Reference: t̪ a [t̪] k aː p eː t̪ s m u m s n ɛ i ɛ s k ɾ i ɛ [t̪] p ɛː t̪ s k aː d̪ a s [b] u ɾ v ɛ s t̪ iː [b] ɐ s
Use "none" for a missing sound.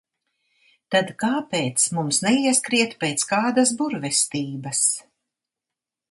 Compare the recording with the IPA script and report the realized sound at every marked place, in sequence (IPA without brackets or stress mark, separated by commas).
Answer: d̪, t̪, b, b